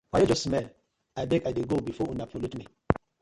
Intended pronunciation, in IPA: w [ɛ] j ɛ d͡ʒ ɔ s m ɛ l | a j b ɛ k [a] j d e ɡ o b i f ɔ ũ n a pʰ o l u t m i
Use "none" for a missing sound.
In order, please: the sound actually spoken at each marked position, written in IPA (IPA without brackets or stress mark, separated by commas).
a, a